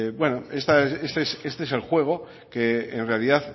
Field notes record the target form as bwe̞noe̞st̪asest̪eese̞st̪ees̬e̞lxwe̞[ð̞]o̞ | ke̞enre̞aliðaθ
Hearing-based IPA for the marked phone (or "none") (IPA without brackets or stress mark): ɣ̞